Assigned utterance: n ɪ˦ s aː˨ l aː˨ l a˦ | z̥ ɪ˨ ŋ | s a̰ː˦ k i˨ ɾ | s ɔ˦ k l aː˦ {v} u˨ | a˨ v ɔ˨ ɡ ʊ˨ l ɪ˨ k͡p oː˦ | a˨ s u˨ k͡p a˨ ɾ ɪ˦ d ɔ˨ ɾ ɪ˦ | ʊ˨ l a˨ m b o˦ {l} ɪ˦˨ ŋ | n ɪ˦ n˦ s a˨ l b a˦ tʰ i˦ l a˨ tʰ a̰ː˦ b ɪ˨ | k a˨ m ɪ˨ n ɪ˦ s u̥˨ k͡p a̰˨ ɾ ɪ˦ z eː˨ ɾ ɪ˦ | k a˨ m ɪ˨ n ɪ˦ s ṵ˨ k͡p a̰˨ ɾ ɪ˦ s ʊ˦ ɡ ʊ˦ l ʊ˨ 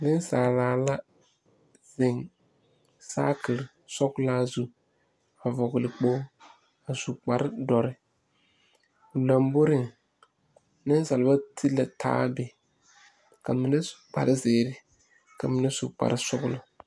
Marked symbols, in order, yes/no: no, no

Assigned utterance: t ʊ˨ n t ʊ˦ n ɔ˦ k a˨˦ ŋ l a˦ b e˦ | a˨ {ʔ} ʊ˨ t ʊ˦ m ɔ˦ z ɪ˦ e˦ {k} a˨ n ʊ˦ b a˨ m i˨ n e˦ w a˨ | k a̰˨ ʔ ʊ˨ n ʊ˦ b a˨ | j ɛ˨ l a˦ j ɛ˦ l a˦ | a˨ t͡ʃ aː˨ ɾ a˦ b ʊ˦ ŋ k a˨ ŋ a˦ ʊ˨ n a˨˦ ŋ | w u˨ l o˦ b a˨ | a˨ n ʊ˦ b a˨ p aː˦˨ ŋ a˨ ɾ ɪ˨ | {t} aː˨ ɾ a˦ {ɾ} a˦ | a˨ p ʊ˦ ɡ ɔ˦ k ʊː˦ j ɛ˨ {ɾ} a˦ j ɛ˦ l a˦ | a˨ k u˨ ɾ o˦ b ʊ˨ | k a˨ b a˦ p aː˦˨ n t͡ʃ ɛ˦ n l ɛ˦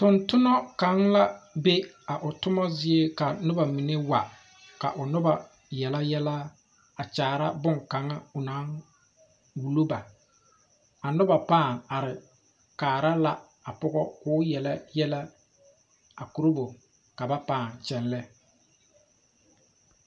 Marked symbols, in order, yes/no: yes, yes, no, no, no

